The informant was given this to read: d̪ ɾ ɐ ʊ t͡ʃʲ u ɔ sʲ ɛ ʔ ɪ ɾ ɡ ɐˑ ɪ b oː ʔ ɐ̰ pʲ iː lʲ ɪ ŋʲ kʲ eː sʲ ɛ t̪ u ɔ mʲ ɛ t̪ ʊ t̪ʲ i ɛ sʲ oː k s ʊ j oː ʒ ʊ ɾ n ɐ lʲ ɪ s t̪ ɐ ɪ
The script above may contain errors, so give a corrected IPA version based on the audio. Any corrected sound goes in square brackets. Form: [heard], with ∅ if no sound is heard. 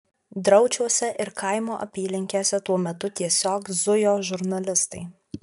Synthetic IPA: d̪ ɾ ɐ ʊ t͡ʃʲ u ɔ sʲ ɛ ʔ ɪ ɾ [k] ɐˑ ɪ [m] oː ʔ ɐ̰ pʲ iː lʲ ɪ ŋʲ kʲ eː sʲ ɛ t̪ u ɔ mʲ ɛ t̪ ʊ t̪ʲ i ɛ sʲ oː k [z] ʊ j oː ʒ ʊ ɾ n ɐ lʲ ɪ s t̪ ɐ ɪ

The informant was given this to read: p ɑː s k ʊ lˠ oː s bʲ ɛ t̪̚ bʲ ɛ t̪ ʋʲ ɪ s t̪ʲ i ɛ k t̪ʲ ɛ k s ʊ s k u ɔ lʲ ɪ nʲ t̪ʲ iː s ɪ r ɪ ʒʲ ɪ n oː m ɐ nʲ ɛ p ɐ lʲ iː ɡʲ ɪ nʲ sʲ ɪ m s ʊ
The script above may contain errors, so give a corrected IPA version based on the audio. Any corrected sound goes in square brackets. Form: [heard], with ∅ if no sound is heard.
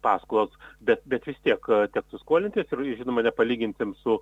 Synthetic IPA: p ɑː s k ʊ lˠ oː s bʲ ɛ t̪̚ bʲ ɛ t̪ ʋʲ ɪ s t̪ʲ i ɛ k t̪ʲ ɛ k s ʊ s k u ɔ lʲ ɪ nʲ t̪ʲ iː s ɪ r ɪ ʒʲ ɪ n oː m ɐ nʲ ɛ p ɐ lʲ iː ɡʲ ɪ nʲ sʲ ɪ m s ʊ

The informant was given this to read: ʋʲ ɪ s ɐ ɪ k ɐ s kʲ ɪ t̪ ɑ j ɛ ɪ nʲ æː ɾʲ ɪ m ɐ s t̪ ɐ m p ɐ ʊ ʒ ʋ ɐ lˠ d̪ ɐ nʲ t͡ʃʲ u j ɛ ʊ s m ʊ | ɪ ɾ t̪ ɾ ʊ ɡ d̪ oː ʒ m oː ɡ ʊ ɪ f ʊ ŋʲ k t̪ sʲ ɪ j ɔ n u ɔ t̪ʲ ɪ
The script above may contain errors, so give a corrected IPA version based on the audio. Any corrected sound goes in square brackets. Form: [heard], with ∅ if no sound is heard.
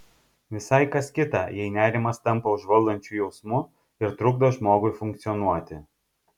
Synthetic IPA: ʋʲ ɪ s ɐ ɪ k ɐ s kʲ ɪ t̪ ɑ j ɛ ɪ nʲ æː ɾʲ ɪ m ɐ s t̪ ɐ m p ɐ ʊ ʒ ʋ ɐ lˠ d̪ ɐ nʲ t͡ʃʲ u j ɛ ʊ s m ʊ | ɪ ɾ t̪ ɾ ʊ ɡ d̪ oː ʒ m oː ɡ ʊ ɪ f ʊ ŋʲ k t̪ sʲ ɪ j ɔ n u ɔ t̪ʲ ɪ

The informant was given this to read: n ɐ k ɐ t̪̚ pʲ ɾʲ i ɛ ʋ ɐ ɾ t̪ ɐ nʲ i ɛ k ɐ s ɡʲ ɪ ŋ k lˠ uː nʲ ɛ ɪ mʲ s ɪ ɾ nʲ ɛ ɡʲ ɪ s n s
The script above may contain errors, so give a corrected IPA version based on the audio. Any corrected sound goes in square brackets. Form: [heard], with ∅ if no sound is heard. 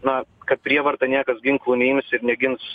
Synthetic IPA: n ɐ k ɐ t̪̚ pʲ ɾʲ i ɛ ʋ ɐ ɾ t̪ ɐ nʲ i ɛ k ɐ s ɡʲ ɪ ŋ k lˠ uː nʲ ɛ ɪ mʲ s ɪ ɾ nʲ ɛ ɡʲ ɪ [∅] n s

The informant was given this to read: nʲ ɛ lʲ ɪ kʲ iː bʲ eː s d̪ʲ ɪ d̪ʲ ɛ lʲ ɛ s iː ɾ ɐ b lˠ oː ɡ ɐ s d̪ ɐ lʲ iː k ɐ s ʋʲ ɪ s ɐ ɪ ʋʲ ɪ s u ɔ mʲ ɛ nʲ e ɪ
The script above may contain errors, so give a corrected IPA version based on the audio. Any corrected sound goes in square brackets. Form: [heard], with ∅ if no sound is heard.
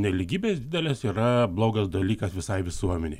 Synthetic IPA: nʲ ɛ lʲ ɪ [ɡʲ] iː bʲ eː s d̪ʲ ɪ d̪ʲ ɛ lʲ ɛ s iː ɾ ɐ b lˠ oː ɡ ɐ s d̪ ɐ lʲ iː k ɐ s ʋʲ ɪ s ɐ ɪ ʋʲ ɪ s u ɔ mʲ ɛ nʲ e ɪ

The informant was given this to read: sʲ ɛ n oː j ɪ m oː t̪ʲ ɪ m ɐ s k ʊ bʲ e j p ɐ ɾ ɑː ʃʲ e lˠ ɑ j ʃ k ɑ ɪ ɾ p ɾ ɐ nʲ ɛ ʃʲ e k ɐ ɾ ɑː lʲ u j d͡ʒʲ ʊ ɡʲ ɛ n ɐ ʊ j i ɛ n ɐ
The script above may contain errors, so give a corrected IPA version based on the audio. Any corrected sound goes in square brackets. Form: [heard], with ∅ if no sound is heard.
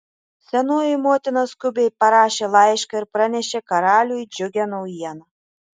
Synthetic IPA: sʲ ɛ n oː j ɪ m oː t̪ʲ ɪ [n] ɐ s k ʊ bʲ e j p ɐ ɾ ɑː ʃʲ e lˠ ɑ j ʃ k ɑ ɪ ɾ p ɾ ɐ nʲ ɛ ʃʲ e k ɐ ɾ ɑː lʲ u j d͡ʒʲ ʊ ɡʲ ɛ n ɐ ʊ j i ɛ n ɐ

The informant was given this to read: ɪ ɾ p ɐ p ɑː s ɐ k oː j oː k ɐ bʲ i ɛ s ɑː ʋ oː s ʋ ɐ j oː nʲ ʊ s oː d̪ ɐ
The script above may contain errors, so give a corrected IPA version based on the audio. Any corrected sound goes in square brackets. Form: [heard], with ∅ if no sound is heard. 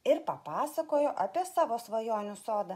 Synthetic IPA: ɪ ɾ p ɐ p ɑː s ɐ k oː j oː [ʔ] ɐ [pʲ] i ɛ s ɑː ʋ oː s ʋ ɐ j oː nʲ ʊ s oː d̪ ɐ

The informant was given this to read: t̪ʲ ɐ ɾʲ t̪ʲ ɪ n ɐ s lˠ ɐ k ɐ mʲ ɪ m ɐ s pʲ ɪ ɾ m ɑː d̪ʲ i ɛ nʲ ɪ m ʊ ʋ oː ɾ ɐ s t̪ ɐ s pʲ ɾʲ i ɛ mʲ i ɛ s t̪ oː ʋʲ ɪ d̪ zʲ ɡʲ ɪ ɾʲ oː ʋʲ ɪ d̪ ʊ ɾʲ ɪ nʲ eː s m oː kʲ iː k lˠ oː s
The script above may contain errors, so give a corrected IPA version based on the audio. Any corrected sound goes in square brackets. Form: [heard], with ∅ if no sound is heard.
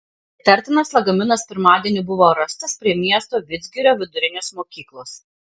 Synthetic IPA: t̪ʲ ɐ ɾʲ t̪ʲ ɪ n ɐ s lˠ ɐ [ɡ] ɐ mʲ ɪ [n] ɐ s pʲ ɪ ɾ m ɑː d̪ʲ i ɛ nʲ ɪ [b] ʊ ʋ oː ɾ ɐ s t̪ ɐ s pʲ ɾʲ i ɛ mʲ i ɛ s t̪ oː ʋʲ ɪ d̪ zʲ ɡʲ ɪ ɾʲ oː ʋʲ ɪ d̪ ʊ ɾʲ ɪ nʲ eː s m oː kʲ iː k lˠ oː s

